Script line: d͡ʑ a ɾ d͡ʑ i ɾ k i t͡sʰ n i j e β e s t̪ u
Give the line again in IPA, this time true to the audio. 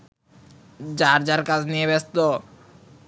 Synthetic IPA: d͡ʑ a ɾ d͡ʑ a ɾ k a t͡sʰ n i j e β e s t̪ o